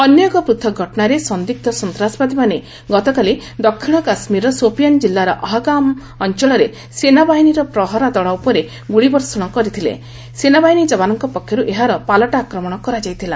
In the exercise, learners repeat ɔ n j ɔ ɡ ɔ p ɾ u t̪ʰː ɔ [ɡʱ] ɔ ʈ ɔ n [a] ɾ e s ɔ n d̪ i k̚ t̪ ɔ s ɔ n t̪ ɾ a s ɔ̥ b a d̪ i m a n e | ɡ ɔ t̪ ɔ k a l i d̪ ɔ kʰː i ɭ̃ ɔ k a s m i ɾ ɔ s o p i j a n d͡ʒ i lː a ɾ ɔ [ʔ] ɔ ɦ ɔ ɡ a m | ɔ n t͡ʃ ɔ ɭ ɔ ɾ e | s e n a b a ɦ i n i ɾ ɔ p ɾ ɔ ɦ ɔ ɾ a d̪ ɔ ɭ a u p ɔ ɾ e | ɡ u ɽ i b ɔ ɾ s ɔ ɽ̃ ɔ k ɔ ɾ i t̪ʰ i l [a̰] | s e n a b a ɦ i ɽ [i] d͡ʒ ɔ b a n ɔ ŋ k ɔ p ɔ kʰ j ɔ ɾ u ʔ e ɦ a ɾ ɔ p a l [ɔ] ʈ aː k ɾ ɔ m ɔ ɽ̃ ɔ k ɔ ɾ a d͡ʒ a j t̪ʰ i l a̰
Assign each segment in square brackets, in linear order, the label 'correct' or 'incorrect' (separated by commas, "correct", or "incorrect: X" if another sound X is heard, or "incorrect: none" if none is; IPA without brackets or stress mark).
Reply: correct, correct, correct, incorrect: ḛ, correct, correct